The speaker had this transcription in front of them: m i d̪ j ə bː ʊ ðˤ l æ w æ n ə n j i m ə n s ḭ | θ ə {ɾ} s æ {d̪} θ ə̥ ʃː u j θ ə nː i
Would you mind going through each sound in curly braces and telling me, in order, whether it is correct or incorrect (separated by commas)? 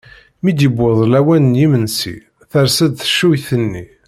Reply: correct, correct